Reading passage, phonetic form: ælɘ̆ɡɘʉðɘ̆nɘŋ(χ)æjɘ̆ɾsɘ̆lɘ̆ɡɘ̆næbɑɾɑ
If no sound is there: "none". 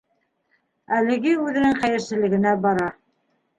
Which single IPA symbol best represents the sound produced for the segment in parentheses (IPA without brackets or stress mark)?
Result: χ